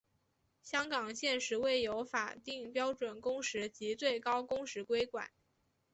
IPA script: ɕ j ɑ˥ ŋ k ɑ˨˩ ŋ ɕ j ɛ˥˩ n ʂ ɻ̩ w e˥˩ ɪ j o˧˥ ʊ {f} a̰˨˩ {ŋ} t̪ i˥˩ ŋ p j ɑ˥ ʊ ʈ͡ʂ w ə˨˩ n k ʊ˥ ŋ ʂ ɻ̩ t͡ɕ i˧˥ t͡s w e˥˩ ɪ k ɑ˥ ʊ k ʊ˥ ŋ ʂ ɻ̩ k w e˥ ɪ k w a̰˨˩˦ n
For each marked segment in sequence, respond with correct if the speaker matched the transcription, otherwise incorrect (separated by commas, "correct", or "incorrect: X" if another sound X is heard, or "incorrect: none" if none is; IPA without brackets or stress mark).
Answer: correct, incorrect: none